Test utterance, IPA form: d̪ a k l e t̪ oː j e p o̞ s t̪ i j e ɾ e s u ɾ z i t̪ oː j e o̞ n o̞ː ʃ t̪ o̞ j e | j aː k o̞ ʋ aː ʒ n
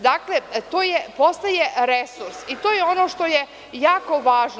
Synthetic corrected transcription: d̪ a k l e t̪ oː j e p o̞ s t̪ a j e ɾ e s u ɾ s i t̪ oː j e o̞ n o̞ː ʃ t̪ o̞ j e | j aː k o̞ ʋ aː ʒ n